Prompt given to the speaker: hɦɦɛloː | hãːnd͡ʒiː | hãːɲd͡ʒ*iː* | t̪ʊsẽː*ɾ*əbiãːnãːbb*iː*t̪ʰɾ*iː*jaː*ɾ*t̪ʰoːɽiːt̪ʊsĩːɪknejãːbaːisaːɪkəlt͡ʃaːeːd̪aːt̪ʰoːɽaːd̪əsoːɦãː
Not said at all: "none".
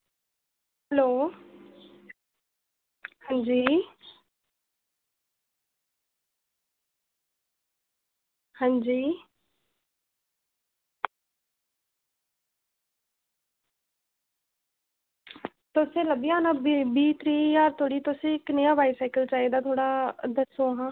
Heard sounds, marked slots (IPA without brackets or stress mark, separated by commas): iː, l, iː, iː, ɾ